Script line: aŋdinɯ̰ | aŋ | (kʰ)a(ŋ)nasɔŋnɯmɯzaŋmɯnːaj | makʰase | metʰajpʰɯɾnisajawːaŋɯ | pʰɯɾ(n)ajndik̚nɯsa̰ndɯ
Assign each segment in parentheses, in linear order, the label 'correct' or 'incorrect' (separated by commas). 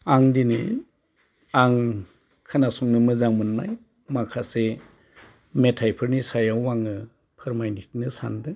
correct, incorrect, incorrect